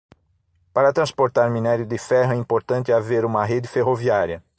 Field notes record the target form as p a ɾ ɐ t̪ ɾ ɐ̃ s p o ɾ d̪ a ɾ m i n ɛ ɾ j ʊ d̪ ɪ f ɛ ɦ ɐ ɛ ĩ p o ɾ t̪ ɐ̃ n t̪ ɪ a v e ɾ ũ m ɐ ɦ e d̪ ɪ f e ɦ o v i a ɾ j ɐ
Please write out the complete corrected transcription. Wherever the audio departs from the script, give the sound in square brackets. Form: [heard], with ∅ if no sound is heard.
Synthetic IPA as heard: p a ɾ ɐ t̪ ɾ ɐ̃ s p o ɾ [t̪] a ɾ m i n ɛ ɾ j ʊ d̪ ɪ f ɛ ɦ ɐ ɛ ĩ p o ɾ t̪ ɐ̃ n t̪ ɪ a v e ɾ ũ m ɐ ɦ e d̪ ɪ f e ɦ o v i a ɾ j ɐ